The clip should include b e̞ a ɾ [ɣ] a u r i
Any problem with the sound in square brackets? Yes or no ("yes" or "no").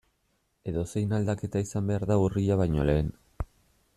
yes